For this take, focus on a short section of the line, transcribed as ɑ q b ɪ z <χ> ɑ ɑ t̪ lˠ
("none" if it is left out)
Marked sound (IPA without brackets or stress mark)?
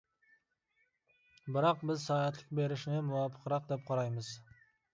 s